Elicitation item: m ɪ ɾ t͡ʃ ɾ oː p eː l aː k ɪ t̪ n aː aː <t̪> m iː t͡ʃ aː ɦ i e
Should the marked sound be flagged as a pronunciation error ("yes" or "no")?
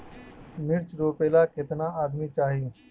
yes